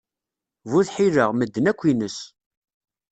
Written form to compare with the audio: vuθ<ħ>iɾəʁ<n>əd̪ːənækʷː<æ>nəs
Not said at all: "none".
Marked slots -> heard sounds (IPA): ħ, m, i

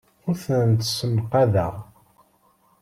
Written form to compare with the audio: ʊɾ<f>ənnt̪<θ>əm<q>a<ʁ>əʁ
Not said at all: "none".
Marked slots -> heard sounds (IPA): θ, s, q, ð

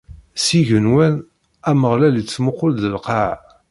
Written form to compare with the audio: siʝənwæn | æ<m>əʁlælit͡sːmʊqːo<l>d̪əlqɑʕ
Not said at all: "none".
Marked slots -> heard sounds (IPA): m, l

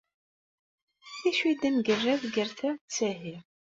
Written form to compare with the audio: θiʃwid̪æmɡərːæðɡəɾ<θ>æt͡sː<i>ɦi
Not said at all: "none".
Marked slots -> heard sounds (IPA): θ, æ

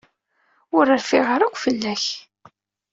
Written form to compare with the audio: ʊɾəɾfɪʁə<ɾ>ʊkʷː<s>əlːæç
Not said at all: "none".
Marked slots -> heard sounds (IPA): ɾ, f

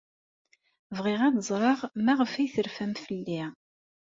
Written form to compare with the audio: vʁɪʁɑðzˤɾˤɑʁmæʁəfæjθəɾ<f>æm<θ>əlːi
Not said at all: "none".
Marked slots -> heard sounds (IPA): f, f

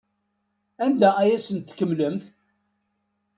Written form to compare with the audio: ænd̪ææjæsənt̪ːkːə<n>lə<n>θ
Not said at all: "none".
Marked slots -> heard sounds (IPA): m, m

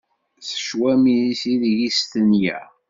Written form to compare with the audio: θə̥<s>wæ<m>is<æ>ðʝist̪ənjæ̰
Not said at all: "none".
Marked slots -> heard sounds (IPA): ʃ, m, i

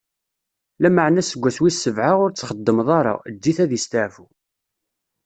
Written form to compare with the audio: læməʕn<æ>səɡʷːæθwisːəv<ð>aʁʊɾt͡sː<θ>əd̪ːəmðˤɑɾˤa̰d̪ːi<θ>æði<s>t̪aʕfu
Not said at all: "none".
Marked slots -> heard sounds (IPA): æ, ʕ, χ, θ, s

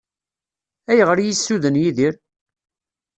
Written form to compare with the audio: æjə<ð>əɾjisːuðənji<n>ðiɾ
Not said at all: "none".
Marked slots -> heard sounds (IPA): ʁ, none

